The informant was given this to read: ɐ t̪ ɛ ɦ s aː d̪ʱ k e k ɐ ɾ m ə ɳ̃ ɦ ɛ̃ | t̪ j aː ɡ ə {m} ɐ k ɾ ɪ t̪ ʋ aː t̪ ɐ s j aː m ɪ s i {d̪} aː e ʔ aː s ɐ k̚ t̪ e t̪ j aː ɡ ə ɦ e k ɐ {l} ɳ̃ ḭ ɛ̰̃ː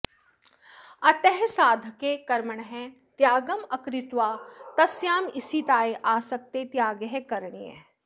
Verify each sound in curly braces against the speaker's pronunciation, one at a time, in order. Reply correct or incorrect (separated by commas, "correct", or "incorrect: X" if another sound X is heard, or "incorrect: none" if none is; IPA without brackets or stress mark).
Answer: correct, incorrect: t̪, incorrect: ɾ